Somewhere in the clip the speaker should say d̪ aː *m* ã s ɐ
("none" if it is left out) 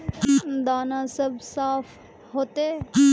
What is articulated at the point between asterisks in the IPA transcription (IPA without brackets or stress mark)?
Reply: n